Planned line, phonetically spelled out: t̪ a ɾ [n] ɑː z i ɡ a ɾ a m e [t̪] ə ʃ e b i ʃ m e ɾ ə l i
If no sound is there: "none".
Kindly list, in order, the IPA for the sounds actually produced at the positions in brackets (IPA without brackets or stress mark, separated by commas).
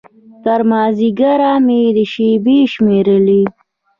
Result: m, d̪